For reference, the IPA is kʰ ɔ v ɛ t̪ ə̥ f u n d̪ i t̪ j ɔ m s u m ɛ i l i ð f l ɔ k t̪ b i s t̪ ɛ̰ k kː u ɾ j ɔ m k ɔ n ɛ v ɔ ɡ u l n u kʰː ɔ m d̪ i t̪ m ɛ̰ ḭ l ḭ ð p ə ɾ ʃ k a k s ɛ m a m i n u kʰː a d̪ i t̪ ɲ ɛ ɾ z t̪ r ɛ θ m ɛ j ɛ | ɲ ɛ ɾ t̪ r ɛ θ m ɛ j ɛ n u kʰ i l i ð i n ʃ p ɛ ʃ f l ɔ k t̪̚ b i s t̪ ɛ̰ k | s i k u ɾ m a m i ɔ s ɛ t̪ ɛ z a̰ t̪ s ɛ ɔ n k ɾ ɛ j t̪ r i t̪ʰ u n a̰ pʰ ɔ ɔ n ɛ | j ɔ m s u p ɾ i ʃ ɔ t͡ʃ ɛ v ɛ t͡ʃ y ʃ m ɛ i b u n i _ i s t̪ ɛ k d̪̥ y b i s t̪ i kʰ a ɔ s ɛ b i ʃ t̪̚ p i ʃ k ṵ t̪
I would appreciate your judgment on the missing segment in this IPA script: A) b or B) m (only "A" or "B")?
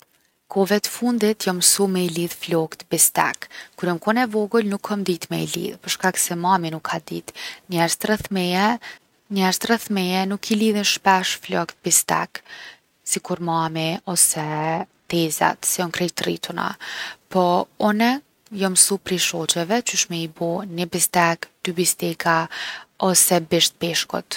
A